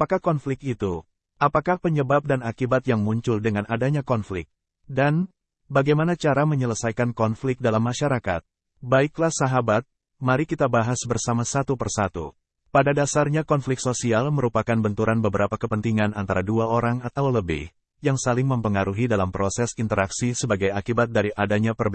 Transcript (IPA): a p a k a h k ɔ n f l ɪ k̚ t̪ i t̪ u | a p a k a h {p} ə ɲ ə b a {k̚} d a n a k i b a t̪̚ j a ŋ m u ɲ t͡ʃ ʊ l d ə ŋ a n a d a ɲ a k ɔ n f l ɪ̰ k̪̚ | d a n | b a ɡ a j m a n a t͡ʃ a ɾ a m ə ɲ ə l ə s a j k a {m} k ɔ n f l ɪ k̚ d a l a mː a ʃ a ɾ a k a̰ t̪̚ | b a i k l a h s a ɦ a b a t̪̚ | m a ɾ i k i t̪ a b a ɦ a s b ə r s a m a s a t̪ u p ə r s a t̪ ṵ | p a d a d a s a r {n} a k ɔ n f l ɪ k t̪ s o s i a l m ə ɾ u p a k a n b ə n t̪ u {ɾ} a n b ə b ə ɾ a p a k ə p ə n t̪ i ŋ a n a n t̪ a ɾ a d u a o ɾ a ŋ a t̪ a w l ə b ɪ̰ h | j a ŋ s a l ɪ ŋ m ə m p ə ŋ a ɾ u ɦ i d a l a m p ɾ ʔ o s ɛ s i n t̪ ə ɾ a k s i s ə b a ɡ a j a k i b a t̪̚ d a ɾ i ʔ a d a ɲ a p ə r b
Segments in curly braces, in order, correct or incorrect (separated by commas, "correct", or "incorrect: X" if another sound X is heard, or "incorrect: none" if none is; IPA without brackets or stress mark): correct, incorrect: p̚, incorrect: n, incorrect: ɲ, correct